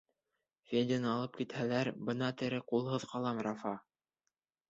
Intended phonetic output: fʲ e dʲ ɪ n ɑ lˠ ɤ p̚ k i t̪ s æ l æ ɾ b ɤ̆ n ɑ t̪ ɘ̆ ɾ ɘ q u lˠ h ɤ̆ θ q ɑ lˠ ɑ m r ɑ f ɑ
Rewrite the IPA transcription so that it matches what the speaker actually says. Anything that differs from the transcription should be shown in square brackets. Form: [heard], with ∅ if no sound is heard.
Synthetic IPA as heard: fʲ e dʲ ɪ n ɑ lˠ ɤ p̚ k i t̪ [h] æ l æ ɾ b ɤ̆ n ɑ t̪ ɘ̆ ɾ ɘ q u lˠ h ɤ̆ [ð] q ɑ lˠ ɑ m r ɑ f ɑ